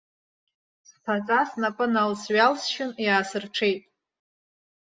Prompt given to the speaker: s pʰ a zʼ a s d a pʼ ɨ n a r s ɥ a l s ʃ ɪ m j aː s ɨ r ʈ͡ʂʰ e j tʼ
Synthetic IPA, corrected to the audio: s pʰ a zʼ a s n a pʼ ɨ n a l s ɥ a l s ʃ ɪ n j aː s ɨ r ʈ͡ʂʰ e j tʼ